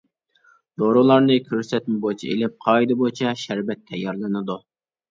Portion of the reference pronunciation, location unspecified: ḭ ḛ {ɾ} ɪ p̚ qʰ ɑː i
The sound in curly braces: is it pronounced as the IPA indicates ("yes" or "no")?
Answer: no